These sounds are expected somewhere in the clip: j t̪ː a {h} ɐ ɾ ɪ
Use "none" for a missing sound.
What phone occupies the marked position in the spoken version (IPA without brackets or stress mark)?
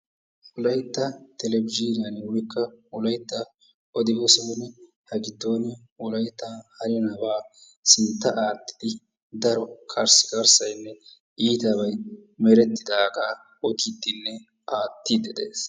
h